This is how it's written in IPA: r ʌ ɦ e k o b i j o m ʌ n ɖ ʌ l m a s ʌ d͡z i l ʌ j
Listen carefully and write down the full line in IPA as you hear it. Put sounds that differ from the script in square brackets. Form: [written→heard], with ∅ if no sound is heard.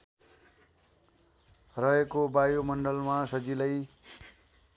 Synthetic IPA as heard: r ʌ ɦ e k o b [i→a] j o m ʌ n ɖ ʌ l m a s ʌ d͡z i l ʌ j